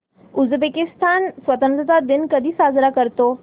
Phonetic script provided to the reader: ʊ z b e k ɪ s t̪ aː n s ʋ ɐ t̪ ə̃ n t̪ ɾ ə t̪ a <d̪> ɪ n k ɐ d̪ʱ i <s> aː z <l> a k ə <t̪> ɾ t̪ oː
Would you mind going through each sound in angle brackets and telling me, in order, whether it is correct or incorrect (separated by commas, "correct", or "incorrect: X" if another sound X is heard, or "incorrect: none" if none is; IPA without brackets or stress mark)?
correct, correct, incorrect: ɾ, incorrect: none